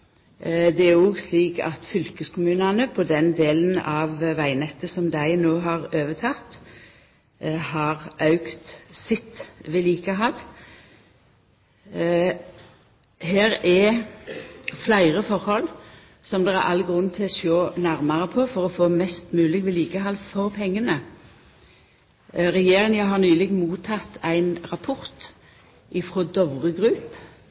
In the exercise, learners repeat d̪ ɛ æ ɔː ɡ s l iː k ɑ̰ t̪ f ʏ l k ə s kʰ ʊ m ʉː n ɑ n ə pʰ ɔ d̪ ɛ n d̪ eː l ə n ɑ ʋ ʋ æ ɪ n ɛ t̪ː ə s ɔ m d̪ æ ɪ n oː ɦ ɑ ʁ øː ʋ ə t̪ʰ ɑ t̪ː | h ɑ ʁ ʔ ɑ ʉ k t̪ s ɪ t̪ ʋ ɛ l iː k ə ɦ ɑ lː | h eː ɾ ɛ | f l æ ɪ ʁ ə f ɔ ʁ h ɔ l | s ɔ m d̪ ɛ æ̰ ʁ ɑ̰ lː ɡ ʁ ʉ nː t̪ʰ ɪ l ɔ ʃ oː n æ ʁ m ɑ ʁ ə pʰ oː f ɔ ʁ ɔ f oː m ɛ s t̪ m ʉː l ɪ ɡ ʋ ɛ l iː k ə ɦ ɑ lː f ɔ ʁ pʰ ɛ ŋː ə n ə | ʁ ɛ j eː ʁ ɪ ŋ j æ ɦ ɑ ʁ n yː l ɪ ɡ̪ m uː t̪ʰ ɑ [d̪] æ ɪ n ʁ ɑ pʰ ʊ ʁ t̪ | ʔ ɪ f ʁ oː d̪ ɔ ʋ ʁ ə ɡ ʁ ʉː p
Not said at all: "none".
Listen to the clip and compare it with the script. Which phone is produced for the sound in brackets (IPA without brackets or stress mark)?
t̪